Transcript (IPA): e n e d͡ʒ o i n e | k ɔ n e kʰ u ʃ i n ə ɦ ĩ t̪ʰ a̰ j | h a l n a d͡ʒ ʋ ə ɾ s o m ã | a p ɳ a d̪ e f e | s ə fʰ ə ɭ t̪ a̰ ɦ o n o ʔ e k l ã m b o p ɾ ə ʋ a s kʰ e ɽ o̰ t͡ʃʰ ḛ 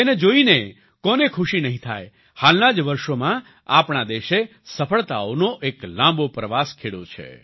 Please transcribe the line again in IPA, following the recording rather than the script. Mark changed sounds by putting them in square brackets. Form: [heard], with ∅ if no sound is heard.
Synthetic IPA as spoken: e n e d͡ʒ o i n e | k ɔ n e kʰ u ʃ i n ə ɦ ĩ t̪ʰ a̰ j | h a l n a d͡ʒ ʋ ə ɾ [ʃ] o m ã | a p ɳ a d̪ e [ʃ] e | s ə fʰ ə ɭ t̪ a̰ [∅] o n o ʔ e k l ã m b o p ɾ ə ʋ a s kʰ e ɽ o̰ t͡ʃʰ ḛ